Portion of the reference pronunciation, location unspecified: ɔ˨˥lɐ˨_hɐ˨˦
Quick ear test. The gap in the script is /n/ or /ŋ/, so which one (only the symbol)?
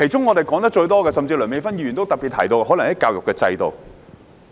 ŋ